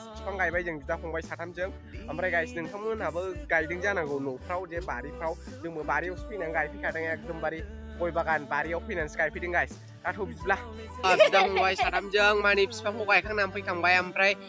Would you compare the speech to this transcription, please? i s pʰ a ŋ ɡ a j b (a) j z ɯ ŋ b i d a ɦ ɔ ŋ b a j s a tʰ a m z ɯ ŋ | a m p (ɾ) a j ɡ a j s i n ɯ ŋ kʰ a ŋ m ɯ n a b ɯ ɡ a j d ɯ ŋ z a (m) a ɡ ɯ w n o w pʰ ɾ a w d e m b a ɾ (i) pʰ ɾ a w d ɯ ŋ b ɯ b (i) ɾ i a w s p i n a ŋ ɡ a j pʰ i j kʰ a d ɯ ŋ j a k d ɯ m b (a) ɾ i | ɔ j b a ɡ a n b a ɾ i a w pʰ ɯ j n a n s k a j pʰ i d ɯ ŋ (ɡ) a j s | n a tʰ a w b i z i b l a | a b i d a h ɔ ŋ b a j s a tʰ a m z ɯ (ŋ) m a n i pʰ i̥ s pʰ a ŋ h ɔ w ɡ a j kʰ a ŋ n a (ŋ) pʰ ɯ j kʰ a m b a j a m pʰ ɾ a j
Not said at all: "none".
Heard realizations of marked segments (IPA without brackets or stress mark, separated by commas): a, ɾ, n, i, a, a, ɡ, ŋ, m